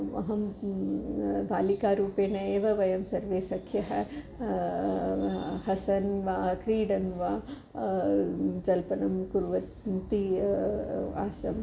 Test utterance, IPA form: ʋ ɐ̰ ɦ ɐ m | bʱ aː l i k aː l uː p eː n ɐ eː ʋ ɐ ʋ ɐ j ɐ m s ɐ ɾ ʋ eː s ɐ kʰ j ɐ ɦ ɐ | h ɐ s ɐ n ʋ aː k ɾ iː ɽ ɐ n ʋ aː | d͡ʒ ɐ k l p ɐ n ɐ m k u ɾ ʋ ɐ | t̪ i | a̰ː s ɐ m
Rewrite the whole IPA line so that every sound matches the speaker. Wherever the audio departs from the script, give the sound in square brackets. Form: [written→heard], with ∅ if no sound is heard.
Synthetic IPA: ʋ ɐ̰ ɦ ɐ m | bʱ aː l i k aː [l→ɾ] uː p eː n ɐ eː ʋ ɐ ʋ ɐ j ɐ m s ɐ ɾ ʋ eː s ɐ kʰ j ɐ ɦ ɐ | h ɐ s ɐ n ʋ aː k ɾ iː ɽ ɐ n ʋ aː | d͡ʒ ɐ [k→∅] l p ɐ n ɐ m k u ɾ ʋ ɐ | t̪ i | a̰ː s ɐ m